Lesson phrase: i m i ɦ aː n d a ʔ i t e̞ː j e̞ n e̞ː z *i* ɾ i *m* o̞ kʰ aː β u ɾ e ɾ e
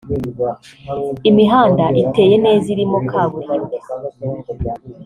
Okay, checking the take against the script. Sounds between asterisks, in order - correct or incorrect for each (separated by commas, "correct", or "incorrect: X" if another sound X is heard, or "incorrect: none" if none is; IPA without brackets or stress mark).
correct, correct